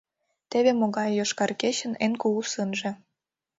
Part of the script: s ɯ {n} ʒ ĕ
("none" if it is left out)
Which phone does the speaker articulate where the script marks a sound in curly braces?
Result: n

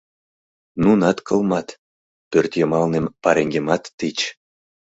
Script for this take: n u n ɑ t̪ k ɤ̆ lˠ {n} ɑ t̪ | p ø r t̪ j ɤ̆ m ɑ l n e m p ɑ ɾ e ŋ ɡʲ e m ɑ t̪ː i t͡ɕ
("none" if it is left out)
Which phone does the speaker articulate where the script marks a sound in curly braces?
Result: m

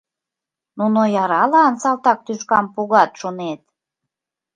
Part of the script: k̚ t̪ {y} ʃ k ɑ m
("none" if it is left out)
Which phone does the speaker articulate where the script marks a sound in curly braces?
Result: y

